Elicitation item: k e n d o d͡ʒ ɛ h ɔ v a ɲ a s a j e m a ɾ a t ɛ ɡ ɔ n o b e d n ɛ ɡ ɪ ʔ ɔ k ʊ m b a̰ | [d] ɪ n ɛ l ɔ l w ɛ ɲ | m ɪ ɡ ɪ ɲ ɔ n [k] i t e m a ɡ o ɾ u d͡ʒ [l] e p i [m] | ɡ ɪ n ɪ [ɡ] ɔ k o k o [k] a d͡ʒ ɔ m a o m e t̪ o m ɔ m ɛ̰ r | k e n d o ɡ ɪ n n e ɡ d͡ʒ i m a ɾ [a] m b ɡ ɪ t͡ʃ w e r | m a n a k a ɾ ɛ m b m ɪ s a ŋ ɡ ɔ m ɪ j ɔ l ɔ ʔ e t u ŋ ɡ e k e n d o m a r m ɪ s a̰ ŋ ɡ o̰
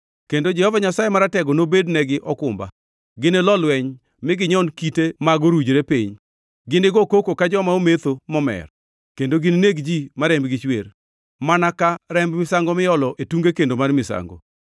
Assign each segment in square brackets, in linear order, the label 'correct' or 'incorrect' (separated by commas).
incorrect, correct, incorrect, incorrect, correct, correct, incorrect